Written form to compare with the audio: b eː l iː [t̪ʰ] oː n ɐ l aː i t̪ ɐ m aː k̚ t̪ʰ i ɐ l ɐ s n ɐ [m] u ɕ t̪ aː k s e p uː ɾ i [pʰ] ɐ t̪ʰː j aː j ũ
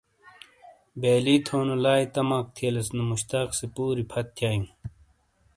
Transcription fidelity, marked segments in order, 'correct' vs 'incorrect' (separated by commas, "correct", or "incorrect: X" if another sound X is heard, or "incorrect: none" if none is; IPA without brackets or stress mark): correct, correct, correct